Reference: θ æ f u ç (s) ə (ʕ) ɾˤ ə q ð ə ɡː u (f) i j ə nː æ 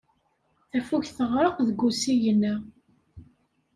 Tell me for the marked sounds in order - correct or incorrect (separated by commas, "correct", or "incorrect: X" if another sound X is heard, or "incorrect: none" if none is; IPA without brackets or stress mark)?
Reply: incorrect: θ, incorrect: ʁ, incorrect: s